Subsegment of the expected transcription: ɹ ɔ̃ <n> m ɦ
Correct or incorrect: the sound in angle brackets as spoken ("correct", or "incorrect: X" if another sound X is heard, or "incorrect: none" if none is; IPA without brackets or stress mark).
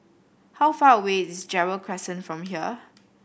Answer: incorrect: none